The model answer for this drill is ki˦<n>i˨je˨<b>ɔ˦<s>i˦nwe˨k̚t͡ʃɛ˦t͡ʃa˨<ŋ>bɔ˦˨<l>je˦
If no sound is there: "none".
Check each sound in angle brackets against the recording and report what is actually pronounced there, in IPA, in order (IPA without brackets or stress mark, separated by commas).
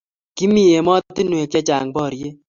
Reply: m, m, t, ŋ, ɾ